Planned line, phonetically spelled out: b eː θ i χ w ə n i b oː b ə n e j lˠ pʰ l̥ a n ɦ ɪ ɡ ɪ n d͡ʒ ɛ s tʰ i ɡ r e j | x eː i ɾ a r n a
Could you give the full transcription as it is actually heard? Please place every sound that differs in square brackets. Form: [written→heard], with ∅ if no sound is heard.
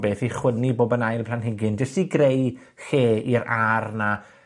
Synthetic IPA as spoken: b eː θ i χ w ə n i b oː b ə n [e→a] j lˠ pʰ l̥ a n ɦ ɪ ɡ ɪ n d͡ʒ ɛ s [tʰ→t] i ɡ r e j | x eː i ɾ a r n a